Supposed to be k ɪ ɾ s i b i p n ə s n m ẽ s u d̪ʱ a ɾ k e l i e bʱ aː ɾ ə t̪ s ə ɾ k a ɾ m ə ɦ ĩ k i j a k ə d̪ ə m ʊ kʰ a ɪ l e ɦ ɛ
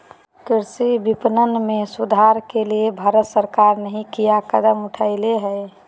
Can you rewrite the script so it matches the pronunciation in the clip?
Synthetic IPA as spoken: k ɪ ɾ s i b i p n ə n m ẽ s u d̪ʱ a ɾ k e l i e bʱ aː ɾ ə t̪ s ə ɾ k a ɾ n ə ɦ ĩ k i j a k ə d̪ ə m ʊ ʈʰ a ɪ l e ɦ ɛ